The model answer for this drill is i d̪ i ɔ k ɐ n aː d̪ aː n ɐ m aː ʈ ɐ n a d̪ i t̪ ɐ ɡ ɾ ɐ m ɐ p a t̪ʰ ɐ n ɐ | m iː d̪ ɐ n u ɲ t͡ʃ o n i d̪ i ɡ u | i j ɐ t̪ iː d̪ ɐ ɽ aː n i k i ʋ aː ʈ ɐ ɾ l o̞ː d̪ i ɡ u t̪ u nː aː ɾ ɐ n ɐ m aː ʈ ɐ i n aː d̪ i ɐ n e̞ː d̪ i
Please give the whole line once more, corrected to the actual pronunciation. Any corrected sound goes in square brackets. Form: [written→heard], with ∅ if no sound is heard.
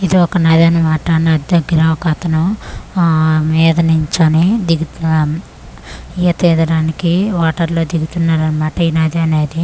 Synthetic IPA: i d̪ i ɔ k ɐ n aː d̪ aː n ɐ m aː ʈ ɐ n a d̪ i [t̪→d̪] ɐ ɡ ɾ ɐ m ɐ [p→k] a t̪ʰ ɐ n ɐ | m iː d̪ ɐ n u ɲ t͡ʃ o n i d̪ i ɡ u | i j ɐ t̪ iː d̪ ɐ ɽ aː n i k i ʋ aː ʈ ɐ ɾ l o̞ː d̪ i ɡ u t̪ u nː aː ɾ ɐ n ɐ m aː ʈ ɐ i n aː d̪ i ɐ n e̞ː d̪ i

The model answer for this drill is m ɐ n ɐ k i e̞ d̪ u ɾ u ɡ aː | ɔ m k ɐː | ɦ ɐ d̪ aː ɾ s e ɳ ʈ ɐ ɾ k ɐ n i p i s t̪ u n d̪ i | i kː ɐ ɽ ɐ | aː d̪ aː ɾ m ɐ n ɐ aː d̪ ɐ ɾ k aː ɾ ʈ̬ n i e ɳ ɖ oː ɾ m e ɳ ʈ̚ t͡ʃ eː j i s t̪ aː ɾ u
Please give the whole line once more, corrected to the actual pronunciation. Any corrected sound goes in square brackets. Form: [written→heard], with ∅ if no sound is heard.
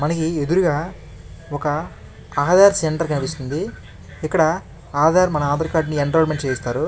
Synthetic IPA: m ɐ n ɐ k i e̞ d̪ u ɾ u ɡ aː | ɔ [m→∅] k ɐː | ɦ ɐ d̪ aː ɾ s e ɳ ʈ ɐ ɾ k ɐ n i p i s t̪ u n d̪ i | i kː ɐ ɽ ɐ | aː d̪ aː ɾ m ɐ n ɐ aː d̪ ɐ ɾ k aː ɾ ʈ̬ n i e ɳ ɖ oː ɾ m e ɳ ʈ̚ t͡ʃ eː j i s t̪ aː ɾ u

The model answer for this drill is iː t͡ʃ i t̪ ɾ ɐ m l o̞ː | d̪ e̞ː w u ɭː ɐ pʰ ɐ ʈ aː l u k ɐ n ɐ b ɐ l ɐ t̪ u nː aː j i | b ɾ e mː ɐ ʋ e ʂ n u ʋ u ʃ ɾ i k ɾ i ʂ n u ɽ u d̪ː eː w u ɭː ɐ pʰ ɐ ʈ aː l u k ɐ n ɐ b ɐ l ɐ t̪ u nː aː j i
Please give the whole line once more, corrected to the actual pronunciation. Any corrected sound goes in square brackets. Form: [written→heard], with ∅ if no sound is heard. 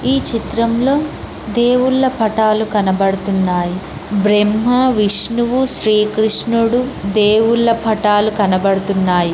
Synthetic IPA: iː t͡ʃ i t̪ ɾ ɐ m l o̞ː | d̪ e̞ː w u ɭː ɐ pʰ ɐ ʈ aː l u k ɐ n ɐ b ɐ [l→ɽ] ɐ t̪ u nː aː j i | b ɾ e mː ɐ ʋ [e→i] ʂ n u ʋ u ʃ ɾ [i→iː] k ɾ i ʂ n u ɽ u [d̪ː→d̪] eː w u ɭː ɐ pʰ ɐ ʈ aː l u k ɐ n ɐ b ɐ [l→ɽ] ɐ t̪ u nː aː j i

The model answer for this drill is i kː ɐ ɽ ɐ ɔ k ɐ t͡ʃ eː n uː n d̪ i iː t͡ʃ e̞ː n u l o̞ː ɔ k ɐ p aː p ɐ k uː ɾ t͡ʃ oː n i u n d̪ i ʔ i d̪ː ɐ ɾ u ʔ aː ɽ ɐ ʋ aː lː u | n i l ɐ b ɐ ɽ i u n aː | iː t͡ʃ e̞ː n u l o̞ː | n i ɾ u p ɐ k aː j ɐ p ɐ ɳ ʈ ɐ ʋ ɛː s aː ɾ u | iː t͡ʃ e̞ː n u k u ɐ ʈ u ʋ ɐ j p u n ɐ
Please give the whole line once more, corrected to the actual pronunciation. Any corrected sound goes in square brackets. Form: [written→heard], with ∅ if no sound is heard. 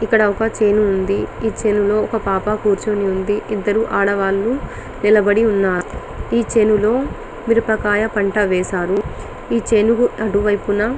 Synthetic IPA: i kː ɐ ɽ ɐ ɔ k ɐ t͡ʃ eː n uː n d̪ i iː t͡ʃ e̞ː n u l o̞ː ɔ k ɐ p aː p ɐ k uː ɾ t͡ʃ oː n i u n d̪ i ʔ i d̪ː ɐ ɾ u ʔ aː ɽ ɐ ʋ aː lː u | n i l ɐ b ɐ ɽ i u [n→nː] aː | iː t͡ʃ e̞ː n u l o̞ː | [n→m] i ɾ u p ɐ k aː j ɐ p ɐ ɳ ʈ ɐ ʋ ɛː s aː ɾ u | iː t͡ʃ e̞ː n u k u ɐ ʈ u ʋ ɐ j p u n ɐ

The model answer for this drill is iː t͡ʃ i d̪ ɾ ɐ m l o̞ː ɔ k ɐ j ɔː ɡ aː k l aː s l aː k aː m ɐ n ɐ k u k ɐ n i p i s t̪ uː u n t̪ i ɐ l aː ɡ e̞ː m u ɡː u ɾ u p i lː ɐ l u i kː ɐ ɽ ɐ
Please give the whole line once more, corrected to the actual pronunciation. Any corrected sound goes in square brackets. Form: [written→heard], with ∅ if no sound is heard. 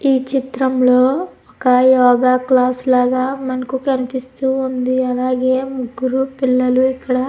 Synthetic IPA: iː t͡ʃ i [d̪→t̪] ɾ ɐ m l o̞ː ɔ k ɐ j ɔː ɡ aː k l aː s l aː [k→ɡ] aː m ɐ n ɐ k u k ɐ n i p i s t̪ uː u n [t̪→d̪] i ɐ l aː ɡ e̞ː m u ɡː u ɾ u p i lː ɐ l u i kː ɐ ɽ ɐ

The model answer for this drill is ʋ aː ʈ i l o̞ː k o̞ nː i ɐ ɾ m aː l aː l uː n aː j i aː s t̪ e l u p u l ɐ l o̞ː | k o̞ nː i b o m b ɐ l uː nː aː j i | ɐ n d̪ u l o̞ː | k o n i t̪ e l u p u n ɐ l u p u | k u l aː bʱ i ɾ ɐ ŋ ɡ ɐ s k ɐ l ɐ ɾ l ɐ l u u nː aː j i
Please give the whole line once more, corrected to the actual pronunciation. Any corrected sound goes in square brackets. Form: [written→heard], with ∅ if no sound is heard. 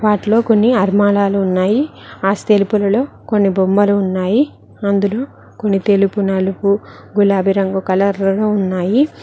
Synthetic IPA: ʋ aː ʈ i l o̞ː k o̞ nː i ɐ ɾ m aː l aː l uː [n→nː] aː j i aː s t̪ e l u p u l ɐ l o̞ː | k o̞ nː i b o m b ɐ l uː nː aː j i | ɐ n d̪ u l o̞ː | k o [n→nː] i t̪ e l u p u n ɐ l u p u | [k→ɡ] u l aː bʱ i ɾ ɐ ŋ ɡ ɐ [s→∅] k ɐ l ɐ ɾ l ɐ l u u nː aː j i

